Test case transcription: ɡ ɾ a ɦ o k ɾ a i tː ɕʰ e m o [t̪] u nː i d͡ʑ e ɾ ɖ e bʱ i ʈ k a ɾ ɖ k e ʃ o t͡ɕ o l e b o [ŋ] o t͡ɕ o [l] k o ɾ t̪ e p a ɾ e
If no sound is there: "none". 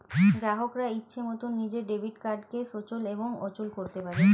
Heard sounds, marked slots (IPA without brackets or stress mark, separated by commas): t̪, ŋ, l